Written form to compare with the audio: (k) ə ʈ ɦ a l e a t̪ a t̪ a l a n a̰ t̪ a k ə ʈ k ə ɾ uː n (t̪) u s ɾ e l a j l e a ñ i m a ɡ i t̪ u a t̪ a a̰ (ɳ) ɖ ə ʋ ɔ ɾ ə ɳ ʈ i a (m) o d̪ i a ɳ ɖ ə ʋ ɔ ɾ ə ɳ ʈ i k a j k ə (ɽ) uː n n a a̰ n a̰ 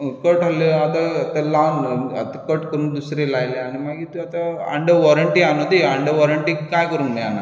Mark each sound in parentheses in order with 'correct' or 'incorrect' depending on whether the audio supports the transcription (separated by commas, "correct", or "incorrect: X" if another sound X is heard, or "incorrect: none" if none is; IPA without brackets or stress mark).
correct, incorrect: d̪, correct, incorrect: n, incorrect: ɾ